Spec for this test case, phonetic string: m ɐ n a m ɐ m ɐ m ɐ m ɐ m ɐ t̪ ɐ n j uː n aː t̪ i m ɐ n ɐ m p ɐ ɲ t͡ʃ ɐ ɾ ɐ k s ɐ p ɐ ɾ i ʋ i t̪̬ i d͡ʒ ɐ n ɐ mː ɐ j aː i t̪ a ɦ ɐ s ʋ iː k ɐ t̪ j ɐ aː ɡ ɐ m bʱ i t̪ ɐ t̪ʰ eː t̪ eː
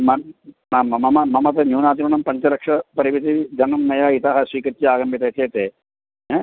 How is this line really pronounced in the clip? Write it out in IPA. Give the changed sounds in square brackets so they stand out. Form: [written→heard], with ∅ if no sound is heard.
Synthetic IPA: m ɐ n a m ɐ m ɐ m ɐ m ɐ m ɐ t̪ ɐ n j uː n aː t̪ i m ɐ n ɐ m p ɐ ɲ t͡ʃ ɐ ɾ ɐ k [s→ʂ] ɐ p ɐ ɾ i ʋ i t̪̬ i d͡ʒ ɐ n ɐ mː ɐ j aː i t̪ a ɦ ɐ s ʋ iː k ɐ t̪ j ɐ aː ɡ ɐ m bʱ i t̪ ɐ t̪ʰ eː t̪ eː